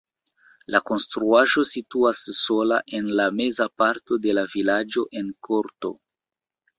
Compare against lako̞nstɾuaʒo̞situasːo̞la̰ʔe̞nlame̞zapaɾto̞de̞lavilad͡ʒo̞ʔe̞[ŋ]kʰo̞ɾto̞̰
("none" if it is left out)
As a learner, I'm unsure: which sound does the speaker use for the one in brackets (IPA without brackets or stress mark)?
n